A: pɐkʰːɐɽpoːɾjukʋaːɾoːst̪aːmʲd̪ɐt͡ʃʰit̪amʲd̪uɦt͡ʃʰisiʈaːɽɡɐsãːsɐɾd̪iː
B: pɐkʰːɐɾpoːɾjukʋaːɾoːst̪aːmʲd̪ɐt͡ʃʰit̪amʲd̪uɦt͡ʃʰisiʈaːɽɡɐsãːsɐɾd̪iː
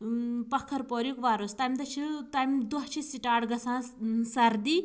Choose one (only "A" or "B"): B